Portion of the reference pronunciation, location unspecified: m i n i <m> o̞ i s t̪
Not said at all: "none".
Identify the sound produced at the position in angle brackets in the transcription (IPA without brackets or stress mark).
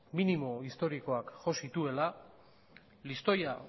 m